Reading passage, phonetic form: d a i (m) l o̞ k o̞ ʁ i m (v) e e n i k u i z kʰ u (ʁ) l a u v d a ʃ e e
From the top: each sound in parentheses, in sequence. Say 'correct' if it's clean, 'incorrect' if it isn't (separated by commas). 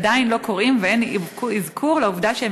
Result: incorrect, correct, correct